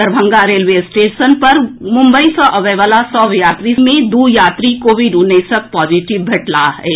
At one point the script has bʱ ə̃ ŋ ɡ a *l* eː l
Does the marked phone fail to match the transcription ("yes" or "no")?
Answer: yes